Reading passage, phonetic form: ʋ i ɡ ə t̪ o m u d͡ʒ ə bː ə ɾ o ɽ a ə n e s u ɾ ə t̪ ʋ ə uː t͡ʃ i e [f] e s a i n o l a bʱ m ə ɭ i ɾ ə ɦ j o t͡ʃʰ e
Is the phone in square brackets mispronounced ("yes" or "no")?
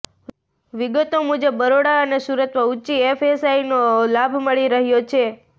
no